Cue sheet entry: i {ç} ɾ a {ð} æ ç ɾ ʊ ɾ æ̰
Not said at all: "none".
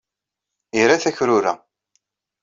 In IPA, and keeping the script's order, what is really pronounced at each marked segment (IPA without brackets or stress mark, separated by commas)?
none, θ